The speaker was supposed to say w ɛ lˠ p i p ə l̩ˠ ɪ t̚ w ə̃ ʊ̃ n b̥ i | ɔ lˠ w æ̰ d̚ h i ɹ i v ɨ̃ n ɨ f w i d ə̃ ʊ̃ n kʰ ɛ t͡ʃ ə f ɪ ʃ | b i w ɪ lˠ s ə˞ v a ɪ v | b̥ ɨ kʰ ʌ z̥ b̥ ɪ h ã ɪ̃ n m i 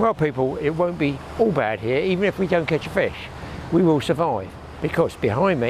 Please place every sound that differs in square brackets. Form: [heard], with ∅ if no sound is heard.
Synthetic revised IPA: w ɛ lˠ p i p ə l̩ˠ ɪ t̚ w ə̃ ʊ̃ n b̥ i | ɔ lˠ [b] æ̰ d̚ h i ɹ i v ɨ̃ n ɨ f w i d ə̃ ʊ̃ n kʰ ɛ t͡ʃ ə f ɪ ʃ | [w] i w ɪ lˠ s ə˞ v a ɪ v | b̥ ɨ kʰ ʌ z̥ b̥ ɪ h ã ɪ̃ n m i